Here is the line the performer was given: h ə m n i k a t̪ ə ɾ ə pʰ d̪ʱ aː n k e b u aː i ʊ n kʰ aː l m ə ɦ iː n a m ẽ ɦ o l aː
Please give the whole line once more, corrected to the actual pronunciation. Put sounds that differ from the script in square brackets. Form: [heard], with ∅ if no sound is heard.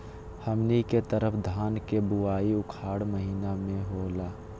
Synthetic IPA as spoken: h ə m n i k [e] t̪ ə ɾ ə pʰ d̪ʱ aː n k e b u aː i ʊ [∅] kʰ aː [ɽ] m ə ɦ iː n a m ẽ ɦ o l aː